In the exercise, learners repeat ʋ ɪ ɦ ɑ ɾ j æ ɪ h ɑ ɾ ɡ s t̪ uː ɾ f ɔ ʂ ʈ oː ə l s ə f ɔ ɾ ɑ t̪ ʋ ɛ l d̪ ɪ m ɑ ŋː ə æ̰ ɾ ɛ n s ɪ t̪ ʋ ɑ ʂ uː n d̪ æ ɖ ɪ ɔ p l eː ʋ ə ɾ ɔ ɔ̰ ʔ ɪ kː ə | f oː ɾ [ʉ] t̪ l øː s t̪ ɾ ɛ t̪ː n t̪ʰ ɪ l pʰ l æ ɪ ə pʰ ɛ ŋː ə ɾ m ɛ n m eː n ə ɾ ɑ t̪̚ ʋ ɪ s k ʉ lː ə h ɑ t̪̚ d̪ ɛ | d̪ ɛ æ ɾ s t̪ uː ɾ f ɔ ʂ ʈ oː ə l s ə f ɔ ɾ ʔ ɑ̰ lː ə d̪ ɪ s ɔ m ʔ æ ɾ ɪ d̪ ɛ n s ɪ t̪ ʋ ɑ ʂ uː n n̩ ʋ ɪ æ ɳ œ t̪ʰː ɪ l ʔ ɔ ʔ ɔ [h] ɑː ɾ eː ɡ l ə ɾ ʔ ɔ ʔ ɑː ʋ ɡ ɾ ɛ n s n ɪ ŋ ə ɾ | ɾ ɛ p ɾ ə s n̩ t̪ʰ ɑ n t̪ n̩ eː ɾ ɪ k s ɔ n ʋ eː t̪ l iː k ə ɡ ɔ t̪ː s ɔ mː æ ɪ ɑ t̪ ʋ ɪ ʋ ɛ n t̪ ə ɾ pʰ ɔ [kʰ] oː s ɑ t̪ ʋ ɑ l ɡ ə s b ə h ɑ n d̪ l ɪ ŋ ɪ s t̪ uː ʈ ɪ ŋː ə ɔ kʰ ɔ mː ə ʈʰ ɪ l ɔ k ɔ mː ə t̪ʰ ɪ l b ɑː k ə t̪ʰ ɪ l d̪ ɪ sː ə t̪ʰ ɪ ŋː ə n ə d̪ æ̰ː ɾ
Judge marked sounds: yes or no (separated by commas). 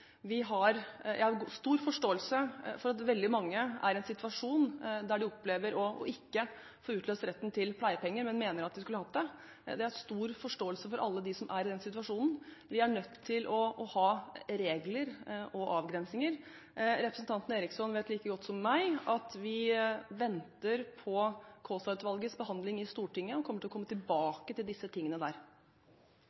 no, yes, yes